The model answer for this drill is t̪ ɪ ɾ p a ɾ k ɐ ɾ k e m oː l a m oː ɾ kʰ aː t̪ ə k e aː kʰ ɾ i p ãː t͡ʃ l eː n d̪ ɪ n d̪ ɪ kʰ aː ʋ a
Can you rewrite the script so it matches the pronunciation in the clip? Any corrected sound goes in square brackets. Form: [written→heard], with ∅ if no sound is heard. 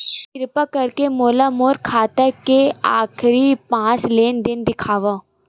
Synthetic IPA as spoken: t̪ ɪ ɾ p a [ɾ→∅] k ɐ ɾ k e m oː l a m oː ɾ kʰ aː t̪ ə k e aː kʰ ɾ i p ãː t͡ʃ l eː n d̪ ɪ n d̪ ɪ kʰ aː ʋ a